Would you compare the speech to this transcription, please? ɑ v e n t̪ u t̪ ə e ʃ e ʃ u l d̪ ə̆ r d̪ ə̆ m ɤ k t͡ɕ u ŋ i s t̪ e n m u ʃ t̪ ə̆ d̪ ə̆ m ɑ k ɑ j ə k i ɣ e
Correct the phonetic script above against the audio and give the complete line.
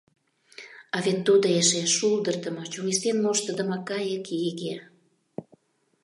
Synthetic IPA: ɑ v e n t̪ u d̪ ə e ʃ e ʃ u l d̪ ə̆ r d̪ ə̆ m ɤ t͡ɕ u ŋ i s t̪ e n m o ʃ t̪ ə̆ d̪ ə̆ m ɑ k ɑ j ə k i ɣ e